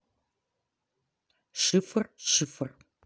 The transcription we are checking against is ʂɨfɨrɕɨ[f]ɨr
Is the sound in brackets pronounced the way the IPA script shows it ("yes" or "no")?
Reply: yes